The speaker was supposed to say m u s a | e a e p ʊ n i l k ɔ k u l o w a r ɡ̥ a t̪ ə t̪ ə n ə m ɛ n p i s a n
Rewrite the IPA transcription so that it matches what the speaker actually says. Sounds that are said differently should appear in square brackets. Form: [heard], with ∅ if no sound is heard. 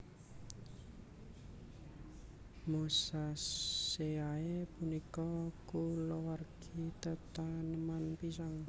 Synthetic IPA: m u s a | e a e p [u] n i [∅] k ɔ k u l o w a r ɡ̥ [i] t̪ ə t̪ [a] n ə m [a] n p i s a [ŋ]